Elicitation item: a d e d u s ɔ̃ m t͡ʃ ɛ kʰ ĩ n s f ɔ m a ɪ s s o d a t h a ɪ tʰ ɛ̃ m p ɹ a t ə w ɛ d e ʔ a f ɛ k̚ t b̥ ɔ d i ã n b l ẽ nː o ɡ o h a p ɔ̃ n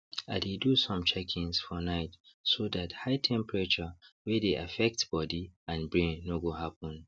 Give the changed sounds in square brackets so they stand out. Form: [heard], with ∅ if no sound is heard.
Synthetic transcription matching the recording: a d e d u s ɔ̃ m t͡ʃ ɛ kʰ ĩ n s f ɔ [n] a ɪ [t] s o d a t h a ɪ tʰ ɛ̃ m p ɹ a [t͡ʃ] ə w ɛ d e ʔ a f ɛ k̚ t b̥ ɔ d i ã n b [ɹ] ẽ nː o ɡ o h a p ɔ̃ n